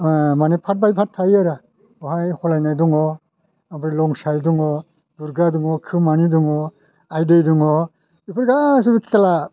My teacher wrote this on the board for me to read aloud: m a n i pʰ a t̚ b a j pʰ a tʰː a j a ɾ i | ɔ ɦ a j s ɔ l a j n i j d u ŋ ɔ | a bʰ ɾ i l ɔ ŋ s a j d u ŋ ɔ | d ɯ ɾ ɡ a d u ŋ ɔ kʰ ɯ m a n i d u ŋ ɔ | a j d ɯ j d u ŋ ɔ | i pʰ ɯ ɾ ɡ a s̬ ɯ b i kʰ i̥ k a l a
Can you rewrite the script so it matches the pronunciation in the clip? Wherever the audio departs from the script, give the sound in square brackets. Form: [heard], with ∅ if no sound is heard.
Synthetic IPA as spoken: m a n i pʰ a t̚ b a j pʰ a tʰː a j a ɾ [a] | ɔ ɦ a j [h] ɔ l a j n [a] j d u ŋ ɔ | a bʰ ɾ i l ɔ ŋ s a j d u ŋ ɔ | d [u] ɾ ɡ a d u ŋ ɔ kʰ ɯ m a n i d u ŋ ɔ | a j d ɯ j d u ŋ ɔ | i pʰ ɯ ɾ ɡ a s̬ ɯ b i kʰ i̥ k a l a